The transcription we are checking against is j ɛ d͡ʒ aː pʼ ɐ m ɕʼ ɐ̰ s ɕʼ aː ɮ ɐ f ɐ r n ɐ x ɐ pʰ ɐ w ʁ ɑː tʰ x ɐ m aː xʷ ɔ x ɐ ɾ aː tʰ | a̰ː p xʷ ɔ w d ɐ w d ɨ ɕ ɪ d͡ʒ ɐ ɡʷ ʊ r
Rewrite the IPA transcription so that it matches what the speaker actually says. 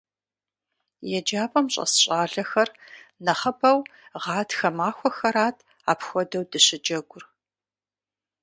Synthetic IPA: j ɛ d͡ʒ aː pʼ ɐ m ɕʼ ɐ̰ s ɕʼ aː ɮ ɐ x ɐ r n ɐ χ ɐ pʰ ɐ w ʁ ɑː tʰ x ɐ m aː xʷ ɔ x ɐ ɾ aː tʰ | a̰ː p xʷ ɔ d ɐ w d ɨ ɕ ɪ d͡ʒ ɐ ɡʷ ʊ r